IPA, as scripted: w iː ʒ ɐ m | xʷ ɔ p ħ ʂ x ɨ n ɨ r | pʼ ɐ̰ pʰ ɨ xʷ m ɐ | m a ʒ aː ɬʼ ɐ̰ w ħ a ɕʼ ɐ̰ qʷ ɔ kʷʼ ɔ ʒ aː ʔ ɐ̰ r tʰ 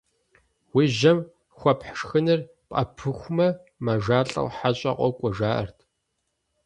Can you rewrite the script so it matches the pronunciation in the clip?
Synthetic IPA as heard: w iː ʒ ɐ m | xʷ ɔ p ħ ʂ x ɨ n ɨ r | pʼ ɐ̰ pʰ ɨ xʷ m ɐ | m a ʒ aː ɬʼ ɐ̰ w ħ a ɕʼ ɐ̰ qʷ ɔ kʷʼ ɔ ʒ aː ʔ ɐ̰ r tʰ